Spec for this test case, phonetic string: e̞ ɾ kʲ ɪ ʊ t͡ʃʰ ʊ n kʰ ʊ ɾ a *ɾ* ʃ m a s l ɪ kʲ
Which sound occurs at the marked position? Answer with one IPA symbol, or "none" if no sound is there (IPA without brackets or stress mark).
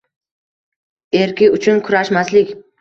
none